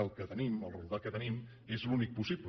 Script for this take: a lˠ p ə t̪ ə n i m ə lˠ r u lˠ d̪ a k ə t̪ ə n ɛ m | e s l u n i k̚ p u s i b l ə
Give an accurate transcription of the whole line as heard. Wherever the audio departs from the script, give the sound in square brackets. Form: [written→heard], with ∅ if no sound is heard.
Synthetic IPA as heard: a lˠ [p→k] ə t̪ ə n i m ə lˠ r u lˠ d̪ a k ə t̪ ə n [ɛ→i] m | e [s→z] l u n i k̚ p u s i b l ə